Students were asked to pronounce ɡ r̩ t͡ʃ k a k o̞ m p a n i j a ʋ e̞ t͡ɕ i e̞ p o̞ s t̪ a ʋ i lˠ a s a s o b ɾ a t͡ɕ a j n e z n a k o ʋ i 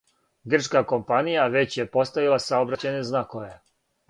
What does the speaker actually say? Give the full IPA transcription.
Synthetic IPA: ɡ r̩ t͡ʃ k a k o̞ m p a n i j a ʋ e̞ t͡ɕ j e̞ p o̞ s t̪ a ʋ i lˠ a s a o b ɾ a t͡ɕ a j n e z n a k o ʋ e